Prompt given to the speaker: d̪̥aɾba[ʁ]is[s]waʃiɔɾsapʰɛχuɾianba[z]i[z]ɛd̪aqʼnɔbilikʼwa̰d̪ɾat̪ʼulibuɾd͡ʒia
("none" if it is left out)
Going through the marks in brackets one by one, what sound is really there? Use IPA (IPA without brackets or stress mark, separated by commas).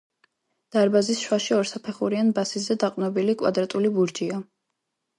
z, ʃ, s, z